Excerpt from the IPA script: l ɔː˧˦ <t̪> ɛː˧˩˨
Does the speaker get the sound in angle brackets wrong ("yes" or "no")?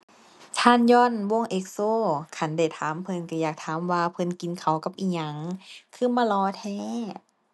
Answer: yes